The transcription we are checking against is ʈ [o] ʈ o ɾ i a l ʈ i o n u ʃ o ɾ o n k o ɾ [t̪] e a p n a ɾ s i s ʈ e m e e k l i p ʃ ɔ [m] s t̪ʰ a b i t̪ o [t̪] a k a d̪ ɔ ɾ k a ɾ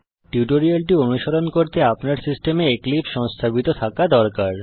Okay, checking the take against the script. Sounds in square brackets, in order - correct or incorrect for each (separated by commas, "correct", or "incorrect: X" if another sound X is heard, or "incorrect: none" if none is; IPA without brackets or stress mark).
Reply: incorrect: u, correct, incorrect: ŋ, incorrect: t̪ʰ